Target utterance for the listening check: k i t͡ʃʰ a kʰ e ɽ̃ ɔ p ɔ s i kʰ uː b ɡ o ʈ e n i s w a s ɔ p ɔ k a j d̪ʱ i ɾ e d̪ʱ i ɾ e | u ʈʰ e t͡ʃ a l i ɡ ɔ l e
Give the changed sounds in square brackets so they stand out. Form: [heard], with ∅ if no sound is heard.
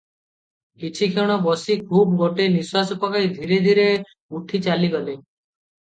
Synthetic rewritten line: k i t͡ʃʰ [i] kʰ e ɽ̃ ɔ [b] ɔ s i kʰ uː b ɡ o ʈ e n i s w a s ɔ p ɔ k a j d̪ʱ i ɾ e d̪ʱ i ɾ e | u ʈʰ [i] t͡ʃ a l i ɡ ɔ l e